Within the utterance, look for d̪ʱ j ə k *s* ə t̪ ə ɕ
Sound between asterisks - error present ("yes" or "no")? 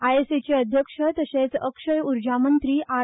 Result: yes